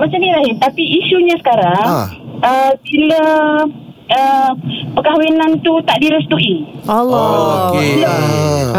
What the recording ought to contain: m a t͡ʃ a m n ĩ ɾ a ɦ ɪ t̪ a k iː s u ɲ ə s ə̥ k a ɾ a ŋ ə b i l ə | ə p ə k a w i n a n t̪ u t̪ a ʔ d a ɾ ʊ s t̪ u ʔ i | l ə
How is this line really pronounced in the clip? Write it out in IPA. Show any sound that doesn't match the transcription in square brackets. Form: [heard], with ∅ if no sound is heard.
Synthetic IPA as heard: m a t͡ʃ a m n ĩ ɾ a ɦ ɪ t̪ a [p] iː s u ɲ [a] s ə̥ k a ɾ a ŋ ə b i l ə | ə p ə k a w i n a n t̪ u t̪ a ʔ d [i] ɾ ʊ s t̪ u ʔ i | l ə